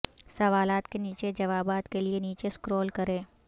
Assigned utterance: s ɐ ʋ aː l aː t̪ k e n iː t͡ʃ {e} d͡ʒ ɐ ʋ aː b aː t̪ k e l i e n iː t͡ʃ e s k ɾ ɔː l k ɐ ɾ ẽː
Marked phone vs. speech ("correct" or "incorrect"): correct